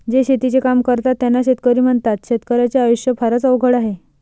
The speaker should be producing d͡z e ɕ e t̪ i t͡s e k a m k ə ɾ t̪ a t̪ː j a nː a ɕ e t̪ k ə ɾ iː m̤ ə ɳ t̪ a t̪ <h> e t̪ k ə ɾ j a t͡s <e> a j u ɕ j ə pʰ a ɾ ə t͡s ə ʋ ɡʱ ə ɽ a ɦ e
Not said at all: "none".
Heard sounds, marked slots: ɕ, e

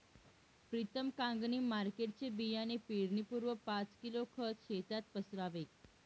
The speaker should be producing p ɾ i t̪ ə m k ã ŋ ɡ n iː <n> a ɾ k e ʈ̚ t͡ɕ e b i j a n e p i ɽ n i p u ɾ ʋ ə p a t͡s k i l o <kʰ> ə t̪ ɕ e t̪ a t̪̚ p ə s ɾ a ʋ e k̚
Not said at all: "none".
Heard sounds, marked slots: m, kʰ

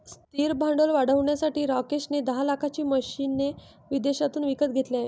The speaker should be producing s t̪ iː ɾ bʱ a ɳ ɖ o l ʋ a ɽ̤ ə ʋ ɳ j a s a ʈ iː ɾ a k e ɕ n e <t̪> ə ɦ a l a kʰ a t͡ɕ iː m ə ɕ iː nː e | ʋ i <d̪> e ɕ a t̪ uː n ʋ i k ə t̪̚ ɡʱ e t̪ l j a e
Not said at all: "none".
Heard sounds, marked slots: d̪, d̪

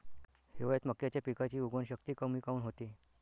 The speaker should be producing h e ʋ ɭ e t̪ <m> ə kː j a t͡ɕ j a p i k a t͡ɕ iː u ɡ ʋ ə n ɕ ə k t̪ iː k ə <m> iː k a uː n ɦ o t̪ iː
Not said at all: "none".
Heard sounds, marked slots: m, m

